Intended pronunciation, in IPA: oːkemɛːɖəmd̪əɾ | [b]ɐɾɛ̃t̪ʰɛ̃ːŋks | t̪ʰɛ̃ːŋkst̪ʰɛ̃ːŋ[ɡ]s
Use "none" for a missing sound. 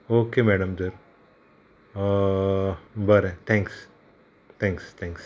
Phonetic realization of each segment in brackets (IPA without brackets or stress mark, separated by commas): b, k